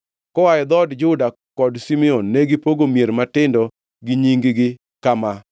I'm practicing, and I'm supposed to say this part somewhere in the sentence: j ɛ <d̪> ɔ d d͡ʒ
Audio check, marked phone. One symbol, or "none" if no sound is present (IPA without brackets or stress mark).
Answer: d̪